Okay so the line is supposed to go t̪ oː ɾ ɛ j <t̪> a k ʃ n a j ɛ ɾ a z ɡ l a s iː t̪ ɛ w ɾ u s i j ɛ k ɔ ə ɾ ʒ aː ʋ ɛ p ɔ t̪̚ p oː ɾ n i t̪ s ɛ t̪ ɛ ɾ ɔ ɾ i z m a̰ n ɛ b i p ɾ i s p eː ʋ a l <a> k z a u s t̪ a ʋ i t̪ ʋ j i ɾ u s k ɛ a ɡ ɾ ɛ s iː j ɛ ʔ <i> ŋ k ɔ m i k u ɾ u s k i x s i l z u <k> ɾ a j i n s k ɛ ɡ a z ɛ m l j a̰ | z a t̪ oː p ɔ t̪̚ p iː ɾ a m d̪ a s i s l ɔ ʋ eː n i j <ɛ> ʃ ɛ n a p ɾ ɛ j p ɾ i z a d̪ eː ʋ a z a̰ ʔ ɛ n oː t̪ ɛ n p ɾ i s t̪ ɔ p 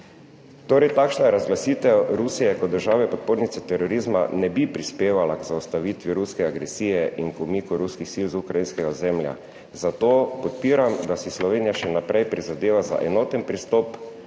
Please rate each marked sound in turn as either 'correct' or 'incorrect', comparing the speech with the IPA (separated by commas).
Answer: correct, correct, correct, correct, incorrect